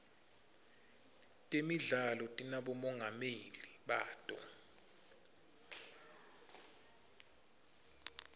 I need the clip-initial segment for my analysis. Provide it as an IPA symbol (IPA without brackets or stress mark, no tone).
tʼ